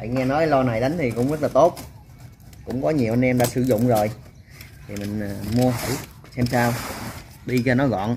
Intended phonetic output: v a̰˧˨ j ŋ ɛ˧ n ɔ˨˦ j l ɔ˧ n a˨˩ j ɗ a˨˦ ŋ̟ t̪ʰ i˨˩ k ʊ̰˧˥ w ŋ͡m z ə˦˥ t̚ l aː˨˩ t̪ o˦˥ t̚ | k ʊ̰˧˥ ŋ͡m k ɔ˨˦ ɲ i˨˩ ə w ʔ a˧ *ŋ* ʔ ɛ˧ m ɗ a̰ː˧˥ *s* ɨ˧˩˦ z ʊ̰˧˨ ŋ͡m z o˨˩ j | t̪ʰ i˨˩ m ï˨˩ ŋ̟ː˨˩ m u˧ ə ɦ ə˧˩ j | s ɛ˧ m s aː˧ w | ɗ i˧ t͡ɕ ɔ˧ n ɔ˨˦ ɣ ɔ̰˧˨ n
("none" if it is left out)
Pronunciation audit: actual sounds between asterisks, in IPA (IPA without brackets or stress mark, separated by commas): n, s